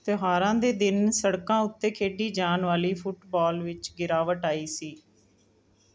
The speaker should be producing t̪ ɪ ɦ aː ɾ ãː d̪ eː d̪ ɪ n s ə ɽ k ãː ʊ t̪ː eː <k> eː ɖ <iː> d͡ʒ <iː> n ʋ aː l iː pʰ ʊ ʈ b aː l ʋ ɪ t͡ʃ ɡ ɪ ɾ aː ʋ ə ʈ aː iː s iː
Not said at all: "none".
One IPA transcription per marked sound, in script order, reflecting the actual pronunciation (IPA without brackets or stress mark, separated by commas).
kʰ, iː, aː